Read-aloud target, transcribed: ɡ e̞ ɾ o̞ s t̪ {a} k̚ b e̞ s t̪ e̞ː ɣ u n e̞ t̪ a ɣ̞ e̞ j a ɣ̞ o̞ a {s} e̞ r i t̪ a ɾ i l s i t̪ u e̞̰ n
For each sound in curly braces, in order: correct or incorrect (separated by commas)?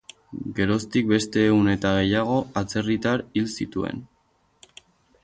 incorrect, incorrect